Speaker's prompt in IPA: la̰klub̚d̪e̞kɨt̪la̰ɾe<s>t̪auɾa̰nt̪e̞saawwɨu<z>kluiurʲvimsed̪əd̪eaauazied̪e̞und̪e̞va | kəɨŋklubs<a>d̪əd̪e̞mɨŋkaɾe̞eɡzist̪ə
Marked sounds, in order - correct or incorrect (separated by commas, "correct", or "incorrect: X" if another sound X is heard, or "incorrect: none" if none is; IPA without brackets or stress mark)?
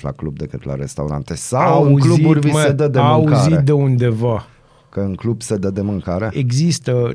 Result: correct, correct, incorrect: e